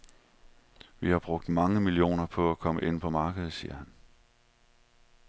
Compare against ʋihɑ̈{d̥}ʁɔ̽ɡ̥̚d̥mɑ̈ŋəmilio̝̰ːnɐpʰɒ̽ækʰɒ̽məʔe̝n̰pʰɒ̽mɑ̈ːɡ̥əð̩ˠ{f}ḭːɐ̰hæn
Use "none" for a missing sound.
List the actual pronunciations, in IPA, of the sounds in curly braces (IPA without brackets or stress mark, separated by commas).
b̥, s